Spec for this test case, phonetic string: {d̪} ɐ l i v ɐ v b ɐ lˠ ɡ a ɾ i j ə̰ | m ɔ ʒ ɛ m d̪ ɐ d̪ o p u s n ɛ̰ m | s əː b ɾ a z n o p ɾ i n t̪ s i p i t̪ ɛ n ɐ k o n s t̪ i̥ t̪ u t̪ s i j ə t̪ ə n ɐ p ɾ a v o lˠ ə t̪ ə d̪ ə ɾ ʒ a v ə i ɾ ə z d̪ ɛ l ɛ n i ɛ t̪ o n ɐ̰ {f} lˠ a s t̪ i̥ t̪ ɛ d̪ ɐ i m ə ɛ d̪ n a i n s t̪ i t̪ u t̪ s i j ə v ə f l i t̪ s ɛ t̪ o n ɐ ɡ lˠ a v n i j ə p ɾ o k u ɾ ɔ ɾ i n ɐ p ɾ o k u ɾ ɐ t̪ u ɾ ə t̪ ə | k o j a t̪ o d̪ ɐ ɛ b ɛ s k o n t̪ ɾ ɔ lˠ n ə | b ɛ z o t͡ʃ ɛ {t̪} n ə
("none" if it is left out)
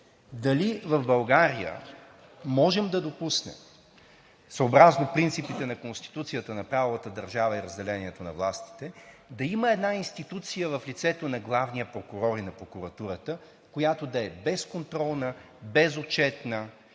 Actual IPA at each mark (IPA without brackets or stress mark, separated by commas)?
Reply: d̪, v, t̪